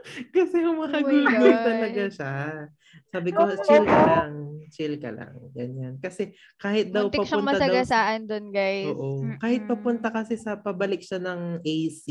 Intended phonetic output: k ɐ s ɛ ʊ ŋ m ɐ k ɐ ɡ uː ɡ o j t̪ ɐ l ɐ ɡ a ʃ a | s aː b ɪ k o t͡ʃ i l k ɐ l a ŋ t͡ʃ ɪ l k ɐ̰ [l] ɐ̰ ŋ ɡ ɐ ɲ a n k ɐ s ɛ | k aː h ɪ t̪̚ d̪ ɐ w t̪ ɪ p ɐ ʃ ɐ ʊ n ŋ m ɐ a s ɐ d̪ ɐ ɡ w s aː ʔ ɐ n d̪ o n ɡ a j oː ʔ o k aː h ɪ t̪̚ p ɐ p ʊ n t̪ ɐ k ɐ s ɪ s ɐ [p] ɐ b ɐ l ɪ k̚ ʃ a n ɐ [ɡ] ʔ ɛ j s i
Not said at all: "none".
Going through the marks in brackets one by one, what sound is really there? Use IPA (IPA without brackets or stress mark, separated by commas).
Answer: l, p, ŋ